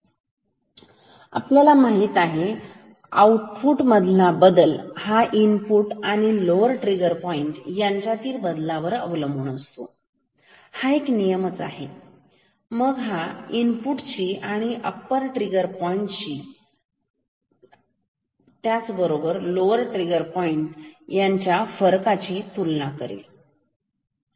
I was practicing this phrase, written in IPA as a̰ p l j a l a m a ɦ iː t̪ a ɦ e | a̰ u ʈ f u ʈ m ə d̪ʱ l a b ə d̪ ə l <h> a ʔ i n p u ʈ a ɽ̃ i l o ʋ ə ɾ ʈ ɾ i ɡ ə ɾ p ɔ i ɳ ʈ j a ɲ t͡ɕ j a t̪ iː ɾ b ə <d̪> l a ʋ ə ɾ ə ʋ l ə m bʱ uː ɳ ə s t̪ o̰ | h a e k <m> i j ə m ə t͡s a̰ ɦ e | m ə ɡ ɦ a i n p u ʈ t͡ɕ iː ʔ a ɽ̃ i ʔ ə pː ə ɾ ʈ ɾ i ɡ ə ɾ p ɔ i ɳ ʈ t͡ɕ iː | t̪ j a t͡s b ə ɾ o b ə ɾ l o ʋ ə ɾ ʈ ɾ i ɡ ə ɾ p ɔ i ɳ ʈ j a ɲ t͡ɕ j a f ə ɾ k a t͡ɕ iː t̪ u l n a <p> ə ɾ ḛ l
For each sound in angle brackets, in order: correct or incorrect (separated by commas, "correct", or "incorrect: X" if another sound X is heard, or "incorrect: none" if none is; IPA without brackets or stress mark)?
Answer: correct, correct, incorrect: n, incorrect: k